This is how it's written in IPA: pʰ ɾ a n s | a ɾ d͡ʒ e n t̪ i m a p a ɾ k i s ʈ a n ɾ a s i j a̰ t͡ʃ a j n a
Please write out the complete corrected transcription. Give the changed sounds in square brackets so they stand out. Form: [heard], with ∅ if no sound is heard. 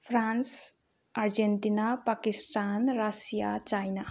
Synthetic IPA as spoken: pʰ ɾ a n s | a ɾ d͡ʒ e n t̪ i [n] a p a [∅] k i s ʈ a n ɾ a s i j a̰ t͡ʃ a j n a